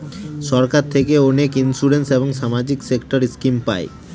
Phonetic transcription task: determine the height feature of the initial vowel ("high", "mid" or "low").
mid